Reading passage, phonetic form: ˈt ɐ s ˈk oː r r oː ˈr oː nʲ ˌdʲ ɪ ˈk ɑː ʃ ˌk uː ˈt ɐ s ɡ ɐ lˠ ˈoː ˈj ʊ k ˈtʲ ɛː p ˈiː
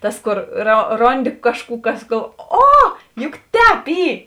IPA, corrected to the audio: ˈt ɐ s ˈk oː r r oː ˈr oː nʲ ˌdʲ ɪ ˈk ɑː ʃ ˌk uː ˈk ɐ s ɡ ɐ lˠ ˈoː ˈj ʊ k ˈtʲ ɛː p ˈiː